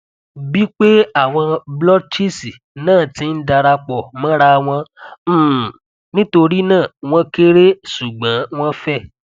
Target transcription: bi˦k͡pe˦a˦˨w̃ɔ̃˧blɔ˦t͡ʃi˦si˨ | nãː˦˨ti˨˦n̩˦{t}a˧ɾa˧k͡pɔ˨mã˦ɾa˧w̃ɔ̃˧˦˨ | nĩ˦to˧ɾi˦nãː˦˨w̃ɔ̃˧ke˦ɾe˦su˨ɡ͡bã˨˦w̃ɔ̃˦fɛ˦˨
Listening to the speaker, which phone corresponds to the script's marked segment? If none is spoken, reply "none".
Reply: d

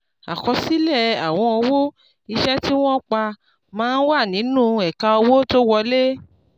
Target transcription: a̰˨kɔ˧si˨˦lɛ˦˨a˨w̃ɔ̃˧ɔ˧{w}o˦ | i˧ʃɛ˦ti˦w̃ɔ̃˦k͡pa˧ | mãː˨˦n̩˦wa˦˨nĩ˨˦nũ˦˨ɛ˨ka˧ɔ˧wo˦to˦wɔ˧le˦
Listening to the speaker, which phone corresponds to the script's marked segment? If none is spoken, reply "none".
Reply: w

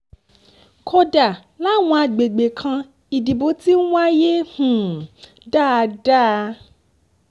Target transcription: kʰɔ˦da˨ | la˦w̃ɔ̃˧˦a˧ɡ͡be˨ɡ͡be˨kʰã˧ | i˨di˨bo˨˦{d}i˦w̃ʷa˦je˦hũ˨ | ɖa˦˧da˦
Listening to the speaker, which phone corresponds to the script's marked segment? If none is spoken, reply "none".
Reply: t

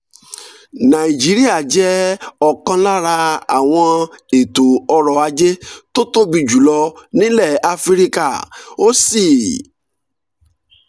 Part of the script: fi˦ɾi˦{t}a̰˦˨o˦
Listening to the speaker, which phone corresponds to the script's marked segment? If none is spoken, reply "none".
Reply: k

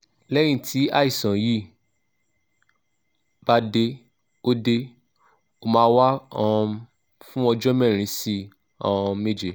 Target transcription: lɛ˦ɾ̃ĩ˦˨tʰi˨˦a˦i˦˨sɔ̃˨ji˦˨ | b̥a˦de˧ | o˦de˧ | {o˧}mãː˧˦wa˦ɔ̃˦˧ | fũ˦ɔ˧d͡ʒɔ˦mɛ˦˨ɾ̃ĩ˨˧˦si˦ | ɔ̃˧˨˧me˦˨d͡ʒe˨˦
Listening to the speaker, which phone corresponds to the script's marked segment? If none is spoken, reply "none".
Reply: o˧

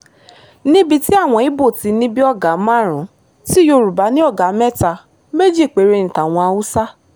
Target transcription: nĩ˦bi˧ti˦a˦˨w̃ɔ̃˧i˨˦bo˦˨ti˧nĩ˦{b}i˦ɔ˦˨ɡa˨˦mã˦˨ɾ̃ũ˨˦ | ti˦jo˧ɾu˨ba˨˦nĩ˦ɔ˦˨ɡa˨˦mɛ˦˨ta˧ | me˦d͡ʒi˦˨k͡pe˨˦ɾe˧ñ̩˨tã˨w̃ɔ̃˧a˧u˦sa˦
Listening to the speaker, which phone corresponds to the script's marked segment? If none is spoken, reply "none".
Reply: b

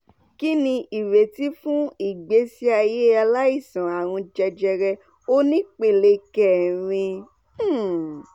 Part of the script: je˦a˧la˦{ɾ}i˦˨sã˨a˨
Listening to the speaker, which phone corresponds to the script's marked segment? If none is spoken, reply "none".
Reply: none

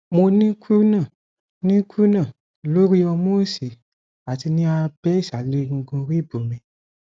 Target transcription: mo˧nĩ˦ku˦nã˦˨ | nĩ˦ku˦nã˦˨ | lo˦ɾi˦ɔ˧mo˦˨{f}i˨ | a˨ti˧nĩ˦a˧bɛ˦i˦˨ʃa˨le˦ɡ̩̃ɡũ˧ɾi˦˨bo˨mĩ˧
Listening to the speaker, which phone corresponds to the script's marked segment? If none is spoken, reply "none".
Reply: s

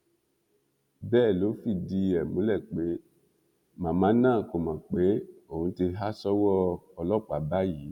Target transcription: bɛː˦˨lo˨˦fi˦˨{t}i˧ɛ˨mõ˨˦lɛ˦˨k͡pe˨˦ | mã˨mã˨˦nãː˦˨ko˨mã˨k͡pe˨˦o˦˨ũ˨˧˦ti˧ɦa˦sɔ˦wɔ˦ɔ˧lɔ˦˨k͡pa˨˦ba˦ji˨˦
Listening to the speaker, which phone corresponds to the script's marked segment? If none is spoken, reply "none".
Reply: d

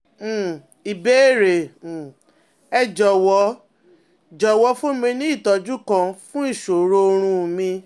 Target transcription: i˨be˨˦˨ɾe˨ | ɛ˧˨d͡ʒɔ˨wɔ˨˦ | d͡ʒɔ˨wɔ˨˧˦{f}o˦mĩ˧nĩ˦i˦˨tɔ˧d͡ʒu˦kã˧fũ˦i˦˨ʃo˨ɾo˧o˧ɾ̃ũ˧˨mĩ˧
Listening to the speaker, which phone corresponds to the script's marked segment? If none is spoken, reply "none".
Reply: f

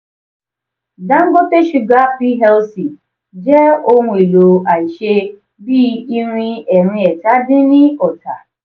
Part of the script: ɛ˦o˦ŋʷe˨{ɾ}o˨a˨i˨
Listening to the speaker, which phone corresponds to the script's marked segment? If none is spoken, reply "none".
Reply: l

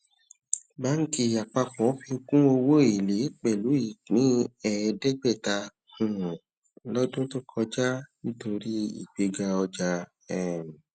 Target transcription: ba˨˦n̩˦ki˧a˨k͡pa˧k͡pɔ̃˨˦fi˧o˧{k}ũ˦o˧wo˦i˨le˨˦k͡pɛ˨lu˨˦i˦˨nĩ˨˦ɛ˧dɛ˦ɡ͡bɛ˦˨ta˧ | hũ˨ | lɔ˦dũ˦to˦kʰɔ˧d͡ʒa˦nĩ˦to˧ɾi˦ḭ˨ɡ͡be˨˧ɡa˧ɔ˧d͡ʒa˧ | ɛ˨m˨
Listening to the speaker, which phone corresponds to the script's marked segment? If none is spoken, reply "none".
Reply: k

